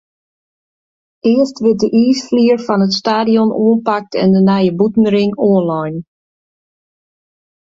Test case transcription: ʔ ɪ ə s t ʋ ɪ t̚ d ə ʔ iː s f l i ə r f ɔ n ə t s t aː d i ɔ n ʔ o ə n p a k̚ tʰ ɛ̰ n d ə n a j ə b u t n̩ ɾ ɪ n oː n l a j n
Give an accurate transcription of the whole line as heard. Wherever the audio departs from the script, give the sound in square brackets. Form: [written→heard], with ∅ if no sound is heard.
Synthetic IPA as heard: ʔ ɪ ə s t ʋ ɪ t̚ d ə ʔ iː s f l i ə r f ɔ n ə t s t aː d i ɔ n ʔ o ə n p a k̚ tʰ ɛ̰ n d ə n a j ə b u t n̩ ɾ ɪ [n→ŋ] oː n l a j n